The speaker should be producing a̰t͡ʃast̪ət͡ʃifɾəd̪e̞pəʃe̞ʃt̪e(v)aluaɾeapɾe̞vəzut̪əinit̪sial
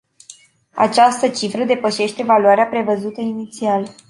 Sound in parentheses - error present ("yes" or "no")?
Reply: no